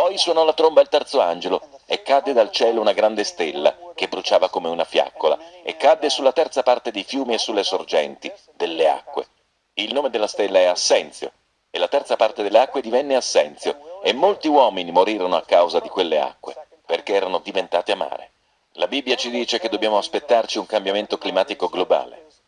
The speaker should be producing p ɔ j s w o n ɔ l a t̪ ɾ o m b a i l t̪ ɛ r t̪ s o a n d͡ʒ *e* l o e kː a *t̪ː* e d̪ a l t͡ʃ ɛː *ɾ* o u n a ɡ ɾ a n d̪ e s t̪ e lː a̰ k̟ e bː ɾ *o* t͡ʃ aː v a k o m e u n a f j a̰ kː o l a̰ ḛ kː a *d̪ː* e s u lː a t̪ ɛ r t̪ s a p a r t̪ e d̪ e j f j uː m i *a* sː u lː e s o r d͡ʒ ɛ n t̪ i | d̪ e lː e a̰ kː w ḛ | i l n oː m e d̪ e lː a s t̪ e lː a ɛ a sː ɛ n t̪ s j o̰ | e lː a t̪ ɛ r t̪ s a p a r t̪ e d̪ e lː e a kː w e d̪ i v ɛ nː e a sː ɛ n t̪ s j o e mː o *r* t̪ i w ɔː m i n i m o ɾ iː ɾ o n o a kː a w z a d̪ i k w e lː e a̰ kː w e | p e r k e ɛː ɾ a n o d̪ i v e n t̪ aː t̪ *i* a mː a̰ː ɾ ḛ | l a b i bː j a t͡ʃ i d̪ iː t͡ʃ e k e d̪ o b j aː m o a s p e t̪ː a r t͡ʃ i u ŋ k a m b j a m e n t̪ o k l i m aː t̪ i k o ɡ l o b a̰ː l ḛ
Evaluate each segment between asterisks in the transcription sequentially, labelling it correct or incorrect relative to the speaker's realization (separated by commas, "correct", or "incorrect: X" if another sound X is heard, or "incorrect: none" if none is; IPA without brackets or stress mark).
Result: correct, incorrect: d̪ː, incorrect: l, incorrect: u, correct, incorrect: e, incorrect: l, incorrect: e